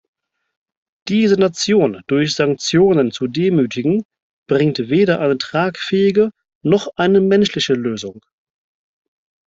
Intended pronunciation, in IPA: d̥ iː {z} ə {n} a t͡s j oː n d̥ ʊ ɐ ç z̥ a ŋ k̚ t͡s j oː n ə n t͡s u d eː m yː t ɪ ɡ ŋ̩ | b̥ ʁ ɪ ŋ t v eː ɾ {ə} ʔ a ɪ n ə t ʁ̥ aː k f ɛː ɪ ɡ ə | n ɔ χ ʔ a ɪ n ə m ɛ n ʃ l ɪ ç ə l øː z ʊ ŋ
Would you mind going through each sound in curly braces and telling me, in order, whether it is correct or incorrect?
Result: correct, correct, incorrect: ɐ

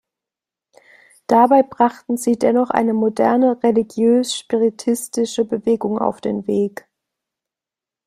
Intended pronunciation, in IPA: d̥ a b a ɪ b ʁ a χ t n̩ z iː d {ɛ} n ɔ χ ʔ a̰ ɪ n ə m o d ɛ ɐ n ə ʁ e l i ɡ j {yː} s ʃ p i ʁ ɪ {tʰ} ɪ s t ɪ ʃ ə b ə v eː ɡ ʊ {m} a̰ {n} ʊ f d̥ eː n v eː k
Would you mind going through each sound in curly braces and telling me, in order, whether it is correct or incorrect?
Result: correct, incorrect: øː, correct, incorrect: ŋ, incorrect: none

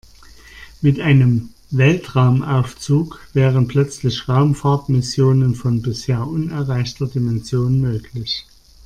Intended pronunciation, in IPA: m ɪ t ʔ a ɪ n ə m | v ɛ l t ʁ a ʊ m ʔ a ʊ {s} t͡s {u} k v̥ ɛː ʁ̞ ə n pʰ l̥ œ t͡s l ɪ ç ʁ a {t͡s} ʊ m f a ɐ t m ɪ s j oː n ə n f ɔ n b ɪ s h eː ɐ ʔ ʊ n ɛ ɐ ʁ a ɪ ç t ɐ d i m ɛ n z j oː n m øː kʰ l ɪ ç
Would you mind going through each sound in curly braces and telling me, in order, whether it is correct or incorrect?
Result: incorrect: f, incorrect: uː, incorrect: none

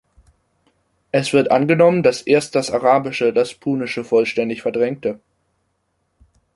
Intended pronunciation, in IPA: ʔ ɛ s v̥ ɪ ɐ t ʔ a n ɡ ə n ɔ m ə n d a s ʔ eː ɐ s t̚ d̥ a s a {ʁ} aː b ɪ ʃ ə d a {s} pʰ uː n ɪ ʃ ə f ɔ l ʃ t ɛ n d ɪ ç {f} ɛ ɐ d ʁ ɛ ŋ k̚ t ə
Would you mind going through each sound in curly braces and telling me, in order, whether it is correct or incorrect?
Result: correct, correct, correct

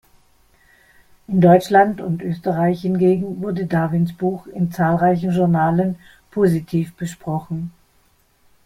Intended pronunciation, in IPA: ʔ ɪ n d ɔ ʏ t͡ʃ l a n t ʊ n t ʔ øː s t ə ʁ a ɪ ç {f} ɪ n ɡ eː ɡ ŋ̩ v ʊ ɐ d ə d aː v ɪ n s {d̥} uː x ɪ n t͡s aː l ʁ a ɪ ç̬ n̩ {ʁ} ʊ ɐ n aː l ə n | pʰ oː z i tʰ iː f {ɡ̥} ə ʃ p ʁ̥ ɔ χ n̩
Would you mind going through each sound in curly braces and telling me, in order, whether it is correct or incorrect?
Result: incorrect: h, incorrect: b̥, incorrect: ʒ, incorrect: b̥

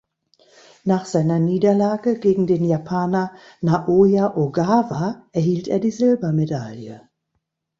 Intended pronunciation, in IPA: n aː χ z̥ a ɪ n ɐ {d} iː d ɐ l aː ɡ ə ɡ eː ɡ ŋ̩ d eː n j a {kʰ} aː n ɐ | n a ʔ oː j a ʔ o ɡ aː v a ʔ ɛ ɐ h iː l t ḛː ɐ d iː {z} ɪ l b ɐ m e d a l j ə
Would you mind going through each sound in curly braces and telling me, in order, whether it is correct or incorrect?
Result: incorrect: n, incorrect: pʰ, correct

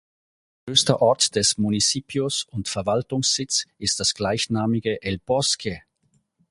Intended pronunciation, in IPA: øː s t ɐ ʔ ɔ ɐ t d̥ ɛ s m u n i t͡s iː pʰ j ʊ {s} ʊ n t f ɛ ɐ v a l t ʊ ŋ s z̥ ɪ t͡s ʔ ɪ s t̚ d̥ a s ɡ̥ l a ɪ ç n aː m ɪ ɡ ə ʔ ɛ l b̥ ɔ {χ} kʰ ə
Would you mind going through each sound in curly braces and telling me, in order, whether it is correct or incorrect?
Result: correct, incorrect: s

